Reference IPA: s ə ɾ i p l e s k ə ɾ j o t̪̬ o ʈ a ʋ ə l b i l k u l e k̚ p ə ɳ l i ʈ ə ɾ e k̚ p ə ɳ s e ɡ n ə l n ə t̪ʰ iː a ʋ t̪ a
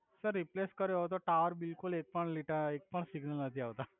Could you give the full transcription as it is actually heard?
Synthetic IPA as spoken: s ə ɾː i p l e s k ə ɾ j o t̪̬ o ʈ a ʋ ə ɾ b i l k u l e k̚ p ə ɳ l i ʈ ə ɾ e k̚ p ə ɳ s i ɡ n ə l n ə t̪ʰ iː a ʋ t̪ a